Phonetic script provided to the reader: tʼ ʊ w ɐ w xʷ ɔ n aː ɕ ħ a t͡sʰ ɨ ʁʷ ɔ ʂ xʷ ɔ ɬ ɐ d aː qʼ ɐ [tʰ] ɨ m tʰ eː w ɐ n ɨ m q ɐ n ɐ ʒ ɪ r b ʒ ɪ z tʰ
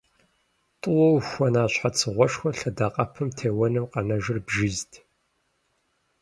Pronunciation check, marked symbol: incorrect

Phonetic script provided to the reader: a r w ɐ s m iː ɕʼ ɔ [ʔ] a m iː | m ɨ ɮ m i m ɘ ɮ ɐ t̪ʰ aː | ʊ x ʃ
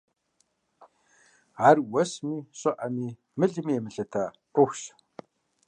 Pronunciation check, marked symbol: correct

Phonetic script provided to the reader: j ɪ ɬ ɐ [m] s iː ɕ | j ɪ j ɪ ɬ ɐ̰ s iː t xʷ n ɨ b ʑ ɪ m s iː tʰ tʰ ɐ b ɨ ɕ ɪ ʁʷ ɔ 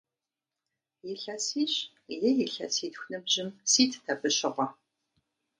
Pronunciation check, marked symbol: incorrect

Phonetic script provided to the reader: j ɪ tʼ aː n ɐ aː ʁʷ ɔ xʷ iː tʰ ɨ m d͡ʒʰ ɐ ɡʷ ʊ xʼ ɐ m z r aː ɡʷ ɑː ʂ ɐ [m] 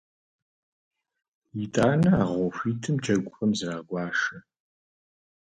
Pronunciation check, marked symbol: incorrect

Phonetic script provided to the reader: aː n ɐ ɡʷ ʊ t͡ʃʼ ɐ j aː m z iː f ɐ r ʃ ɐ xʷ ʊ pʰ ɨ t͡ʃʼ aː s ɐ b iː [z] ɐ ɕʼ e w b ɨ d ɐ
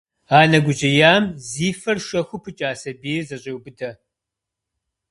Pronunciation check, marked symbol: correct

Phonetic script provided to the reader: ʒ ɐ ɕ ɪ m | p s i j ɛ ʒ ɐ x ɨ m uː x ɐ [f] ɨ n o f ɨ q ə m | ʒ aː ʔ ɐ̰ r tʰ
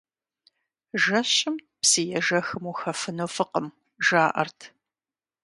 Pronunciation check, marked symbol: correct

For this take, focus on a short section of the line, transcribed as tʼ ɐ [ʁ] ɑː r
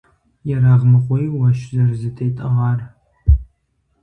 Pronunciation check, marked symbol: correct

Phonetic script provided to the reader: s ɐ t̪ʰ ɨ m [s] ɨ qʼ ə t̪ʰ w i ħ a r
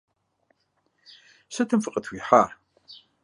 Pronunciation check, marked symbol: incorrect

